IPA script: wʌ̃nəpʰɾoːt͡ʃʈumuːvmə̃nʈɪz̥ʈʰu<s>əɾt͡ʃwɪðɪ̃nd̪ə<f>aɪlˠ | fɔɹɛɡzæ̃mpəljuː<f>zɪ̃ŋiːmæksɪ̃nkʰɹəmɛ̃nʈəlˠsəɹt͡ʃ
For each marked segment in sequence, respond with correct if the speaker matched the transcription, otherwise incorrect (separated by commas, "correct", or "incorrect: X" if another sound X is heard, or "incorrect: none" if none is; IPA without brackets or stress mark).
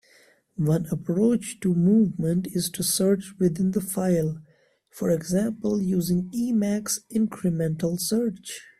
correct, correct, incorrect: none